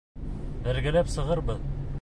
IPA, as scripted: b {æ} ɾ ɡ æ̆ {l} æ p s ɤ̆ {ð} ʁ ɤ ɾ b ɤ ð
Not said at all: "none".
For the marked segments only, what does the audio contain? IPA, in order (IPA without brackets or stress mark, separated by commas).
æ, l, none